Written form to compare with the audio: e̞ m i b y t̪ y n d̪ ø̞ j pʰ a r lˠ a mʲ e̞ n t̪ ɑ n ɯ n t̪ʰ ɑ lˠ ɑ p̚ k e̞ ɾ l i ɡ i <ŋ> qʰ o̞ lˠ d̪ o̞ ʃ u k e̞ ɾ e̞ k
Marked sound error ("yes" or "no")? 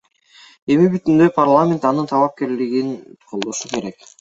yes